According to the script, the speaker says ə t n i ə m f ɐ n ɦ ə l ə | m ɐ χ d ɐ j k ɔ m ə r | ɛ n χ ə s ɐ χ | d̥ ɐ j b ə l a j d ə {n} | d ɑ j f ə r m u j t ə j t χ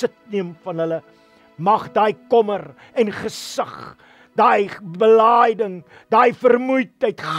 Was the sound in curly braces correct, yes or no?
no